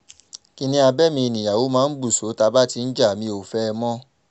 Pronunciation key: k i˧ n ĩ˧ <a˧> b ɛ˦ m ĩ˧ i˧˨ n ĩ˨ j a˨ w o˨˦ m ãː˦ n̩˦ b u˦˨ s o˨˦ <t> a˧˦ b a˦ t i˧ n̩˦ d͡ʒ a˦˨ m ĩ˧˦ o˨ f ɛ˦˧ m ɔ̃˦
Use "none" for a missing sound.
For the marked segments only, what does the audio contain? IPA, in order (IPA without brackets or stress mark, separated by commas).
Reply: a˧, t